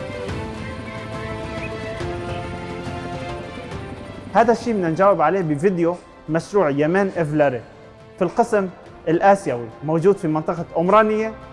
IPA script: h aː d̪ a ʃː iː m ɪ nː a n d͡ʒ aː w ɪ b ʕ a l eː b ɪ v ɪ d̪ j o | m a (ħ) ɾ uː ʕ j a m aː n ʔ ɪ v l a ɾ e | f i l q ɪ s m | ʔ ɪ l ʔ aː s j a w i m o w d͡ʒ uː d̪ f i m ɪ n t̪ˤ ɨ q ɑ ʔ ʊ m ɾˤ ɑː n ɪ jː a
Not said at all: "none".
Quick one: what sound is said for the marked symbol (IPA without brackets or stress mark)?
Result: ʃ